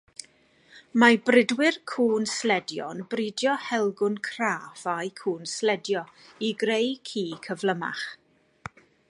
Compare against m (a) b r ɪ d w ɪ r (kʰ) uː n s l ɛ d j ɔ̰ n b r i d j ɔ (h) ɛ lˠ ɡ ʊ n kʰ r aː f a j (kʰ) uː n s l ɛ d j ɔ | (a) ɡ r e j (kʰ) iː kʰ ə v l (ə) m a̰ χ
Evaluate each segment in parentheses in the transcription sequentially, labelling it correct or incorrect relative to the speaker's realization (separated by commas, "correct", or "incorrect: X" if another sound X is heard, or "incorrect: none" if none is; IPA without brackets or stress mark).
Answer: correct, correct, correct, correct, incorrect: i, correct, correct